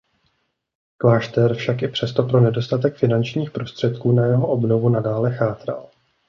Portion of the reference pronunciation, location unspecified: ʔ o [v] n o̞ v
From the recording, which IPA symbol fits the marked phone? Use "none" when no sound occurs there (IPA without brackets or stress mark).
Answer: b